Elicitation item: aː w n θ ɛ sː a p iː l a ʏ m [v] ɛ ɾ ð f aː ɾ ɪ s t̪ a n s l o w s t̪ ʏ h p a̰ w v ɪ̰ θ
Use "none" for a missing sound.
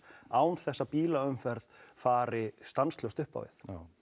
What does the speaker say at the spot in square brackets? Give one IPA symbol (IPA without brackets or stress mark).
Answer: f